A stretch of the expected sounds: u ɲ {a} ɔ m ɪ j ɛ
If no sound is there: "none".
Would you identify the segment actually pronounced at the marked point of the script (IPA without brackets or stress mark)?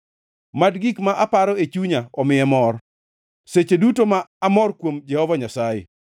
a